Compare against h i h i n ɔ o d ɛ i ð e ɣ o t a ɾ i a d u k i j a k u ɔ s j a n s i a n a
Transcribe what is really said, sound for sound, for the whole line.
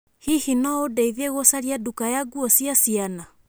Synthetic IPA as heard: h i h i n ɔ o d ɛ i ð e ɣ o s a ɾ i a d u k a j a ɡ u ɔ s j a s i a n a